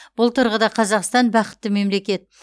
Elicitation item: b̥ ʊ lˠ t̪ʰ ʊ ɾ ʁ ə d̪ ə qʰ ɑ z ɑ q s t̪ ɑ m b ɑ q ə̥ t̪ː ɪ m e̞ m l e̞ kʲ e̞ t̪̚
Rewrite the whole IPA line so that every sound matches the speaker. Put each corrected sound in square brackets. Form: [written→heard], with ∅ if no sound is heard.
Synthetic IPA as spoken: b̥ ʊ lˠ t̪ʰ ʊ ɾ ʁ ə d̪ [ə→ɑ] qʰ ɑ z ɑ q s t̪ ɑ [m→n] b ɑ q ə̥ t̪ː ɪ m e̞ m l e̞ kʲ e̞ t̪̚